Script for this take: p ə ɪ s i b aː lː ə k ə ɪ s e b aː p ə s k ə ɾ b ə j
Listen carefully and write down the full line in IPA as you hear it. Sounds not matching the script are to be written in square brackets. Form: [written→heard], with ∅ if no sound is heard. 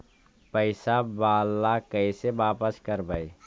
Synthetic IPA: p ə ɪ s [i→a] b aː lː [ə→a] k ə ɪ s e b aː p ə s k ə ɾ b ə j